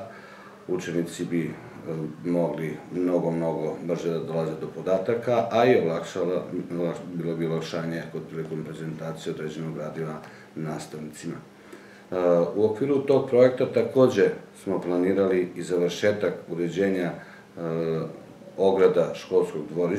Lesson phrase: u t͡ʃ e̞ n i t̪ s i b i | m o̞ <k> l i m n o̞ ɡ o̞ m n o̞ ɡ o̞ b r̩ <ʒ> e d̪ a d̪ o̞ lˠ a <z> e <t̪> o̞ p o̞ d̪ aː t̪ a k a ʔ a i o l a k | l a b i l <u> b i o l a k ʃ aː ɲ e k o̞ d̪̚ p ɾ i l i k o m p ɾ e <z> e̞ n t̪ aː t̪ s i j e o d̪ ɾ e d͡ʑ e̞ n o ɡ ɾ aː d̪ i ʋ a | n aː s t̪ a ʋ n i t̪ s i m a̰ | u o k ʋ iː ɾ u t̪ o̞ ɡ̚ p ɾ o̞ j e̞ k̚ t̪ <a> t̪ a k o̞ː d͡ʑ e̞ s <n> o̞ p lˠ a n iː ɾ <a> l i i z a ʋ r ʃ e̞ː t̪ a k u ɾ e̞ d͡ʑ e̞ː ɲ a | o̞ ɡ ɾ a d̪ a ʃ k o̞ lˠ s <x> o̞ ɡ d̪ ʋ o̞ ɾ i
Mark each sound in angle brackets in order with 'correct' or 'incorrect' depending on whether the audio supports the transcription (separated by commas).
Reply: incorrect, correct, correct, incorrect, incorrect, correct, correct, incorrect, correct, incorrect